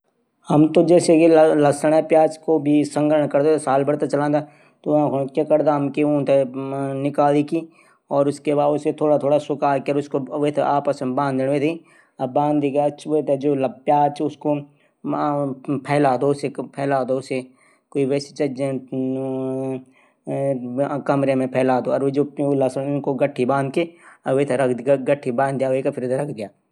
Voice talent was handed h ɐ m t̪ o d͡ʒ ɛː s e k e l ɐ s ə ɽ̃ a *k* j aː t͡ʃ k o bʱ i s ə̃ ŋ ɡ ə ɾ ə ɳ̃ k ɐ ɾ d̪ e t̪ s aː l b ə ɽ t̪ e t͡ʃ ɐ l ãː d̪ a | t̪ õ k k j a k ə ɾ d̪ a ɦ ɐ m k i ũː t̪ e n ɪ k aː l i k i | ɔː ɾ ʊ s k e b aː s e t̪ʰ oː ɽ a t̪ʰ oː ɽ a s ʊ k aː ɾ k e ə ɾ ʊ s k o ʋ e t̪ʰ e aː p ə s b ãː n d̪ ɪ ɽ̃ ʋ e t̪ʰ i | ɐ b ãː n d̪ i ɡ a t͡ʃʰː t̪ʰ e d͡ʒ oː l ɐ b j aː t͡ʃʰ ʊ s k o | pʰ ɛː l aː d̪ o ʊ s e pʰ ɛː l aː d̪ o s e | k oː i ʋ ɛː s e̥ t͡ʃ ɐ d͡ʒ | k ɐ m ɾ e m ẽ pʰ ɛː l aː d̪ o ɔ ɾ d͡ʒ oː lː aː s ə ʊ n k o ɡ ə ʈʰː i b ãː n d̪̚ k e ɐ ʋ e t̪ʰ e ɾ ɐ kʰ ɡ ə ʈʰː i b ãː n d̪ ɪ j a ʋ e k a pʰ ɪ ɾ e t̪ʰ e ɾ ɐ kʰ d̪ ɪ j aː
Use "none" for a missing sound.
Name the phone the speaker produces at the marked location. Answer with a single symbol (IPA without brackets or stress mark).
p